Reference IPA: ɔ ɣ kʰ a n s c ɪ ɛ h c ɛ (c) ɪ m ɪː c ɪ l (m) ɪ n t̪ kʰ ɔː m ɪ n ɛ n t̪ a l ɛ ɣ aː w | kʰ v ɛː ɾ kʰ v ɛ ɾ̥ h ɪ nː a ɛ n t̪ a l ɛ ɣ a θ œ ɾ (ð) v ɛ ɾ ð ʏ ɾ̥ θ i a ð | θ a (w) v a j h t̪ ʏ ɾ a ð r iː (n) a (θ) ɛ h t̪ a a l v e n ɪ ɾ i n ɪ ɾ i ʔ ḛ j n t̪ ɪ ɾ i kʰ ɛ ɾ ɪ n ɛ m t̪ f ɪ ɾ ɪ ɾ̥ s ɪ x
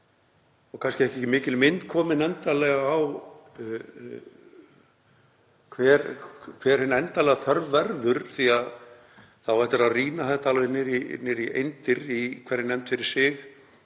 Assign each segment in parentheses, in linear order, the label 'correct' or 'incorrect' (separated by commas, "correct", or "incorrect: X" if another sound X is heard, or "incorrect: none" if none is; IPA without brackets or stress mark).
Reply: correct, correct, incorrect: v, correct, correct, correct